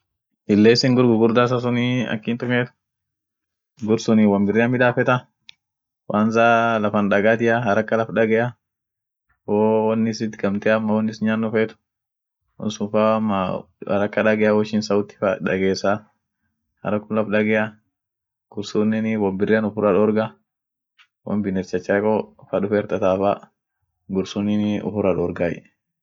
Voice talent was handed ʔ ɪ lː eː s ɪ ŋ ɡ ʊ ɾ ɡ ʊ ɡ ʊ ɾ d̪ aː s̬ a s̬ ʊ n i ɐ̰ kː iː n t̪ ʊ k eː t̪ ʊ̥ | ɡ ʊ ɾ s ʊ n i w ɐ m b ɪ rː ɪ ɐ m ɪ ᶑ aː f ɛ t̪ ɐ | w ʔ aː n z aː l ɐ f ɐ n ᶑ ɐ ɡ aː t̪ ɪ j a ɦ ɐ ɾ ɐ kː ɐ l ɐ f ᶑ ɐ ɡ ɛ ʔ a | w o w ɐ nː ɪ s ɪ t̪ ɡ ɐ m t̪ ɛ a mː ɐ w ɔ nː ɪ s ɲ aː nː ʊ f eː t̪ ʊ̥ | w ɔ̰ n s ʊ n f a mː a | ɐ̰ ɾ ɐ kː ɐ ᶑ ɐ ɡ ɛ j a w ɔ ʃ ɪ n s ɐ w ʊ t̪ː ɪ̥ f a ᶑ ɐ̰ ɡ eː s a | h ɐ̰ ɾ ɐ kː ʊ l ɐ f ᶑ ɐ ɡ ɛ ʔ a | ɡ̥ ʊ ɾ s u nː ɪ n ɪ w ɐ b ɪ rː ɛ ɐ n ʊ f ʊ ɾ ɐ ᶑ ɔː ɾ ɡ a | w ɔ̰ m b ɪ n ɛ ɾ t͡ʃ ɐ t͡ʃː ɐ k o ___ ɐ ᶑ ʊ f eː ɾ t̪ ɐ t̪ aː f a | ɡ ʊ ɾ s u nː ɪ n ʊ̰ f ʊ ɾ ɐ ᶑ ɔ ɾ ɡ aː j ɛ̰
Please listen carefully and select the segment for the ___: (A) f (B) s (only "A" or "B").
A